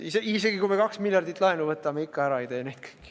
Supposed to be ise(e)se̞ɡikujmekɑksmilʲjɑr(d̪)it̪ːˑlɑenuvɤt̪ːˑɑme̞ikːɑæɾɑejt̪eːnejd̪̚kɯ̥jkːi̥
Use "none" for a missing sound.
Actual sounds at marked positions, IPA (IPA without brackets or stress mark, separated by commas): i, d̪